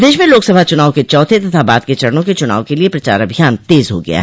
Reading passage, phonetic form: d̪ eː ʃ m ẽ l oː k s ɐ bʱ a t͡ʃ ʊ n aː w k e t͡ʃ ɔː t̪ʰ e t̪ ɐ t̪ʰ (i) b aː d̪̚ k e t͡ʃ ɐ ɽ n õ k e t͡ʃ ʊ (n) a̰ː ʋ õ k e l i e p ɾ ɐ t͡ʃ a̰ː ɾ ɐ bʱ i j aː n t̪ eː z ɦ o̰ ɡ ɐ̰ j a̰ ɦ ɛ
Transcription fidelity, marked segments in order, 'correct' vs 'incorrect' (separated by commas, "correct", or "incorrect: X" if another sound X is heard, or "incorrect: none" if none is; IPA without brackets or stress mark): incorrect: a, correct